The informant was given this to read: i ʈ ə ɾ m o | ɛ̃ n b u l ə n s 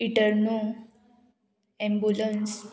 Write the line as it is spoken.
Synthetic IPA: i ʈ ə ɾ n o | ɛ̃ m b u l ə n s